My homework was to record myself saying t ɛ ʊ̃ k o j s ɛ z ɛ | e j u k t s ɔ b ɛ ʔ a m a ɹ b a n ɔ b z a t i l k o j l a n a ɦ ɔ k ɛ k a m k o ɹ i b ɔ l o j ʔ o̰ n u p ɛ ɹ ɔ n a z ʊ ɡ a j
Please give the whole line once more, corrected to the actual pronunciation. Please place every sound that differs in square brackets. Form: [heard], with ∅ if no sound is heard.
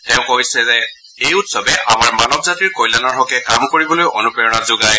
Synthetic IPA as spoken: t ɛ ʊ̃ k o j s ɛ z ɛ | e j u [∅] t s ɔ b ɛ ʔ a m a ɹ [m] a n ɔ b z a t i [ɹ] k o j l a n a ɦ ɔ k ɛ k a m k o ɹ i b ɔ l o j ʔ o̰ n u p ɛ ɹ ɔ n a z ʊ ɡ a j